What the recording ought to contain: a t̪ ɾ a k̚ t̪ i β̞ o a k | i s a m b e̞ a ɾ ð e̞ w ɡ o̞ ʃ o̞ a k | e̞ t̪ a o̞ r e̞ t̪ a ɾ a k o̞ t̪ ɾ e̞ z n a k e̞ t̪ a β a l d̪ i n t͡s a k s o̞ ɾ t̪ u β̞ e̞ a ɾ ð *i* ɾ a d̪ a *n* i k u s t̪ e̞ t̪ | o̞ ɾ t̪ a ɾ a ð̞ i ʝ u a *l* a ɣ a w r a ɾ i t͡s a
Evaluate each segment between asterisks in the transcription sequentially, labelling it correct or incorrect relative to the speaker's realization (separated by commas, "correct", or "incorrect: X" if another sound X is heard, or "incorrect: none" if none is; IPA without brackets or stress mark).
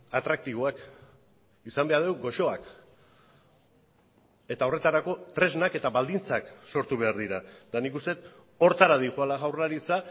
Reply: correct, correct, correct